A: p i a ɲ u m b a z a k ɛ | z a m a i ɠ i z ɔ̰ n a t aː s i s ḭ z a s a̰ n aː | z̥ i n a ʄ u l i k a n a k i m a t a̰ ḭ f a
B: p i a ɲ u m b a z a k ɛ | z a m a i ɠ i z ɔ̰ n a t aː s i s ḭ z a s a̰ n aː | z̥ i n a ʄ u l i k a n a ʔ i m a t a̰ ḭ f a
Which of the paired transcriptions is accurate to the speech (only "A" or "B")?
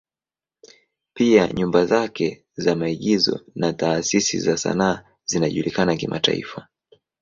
A